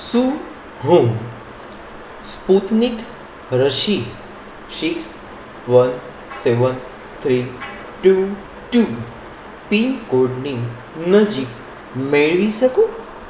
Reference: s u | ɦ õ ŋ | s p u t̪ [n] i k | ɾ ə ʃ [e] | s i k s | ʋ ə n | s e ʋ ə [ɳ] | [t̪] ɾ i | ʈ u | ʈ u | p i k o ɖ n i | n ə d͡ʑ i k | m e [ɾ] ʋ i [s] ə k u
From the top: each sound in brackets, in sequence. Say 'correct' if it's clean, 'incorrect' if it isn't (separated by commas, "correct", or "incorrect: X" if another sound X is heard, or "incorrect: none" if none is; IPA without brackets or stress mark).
correct, incorrect: i, incorrect: n, incorrect: t̪ʰ, incorrect: ɭ, correct